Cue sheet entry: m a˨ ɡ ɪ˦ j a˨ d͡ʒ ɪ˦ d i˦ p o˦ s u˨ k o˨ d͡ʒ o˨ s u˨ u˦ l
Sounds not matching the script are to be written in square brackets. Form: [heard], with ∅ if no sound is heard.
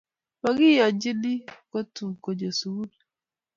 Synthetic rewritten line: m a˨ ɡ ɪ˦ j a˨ d͡ʒ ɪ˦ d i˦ [k] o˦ [t] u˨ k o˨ d͡ʒ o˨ s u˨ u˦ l